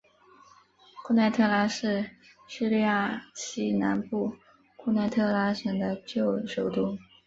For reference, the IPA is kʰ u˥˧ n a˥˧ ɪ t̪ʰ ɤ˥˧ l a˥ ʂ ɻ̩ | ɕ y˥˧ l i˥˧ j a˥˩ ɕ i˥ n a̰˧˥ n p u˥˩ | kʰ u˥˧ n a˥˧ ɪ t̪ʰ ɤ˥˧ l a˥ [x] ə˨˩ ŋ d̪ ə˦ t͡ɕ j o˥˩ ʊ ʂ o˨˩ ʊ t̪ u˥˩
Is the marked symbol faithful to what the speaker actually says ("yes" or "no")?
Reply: no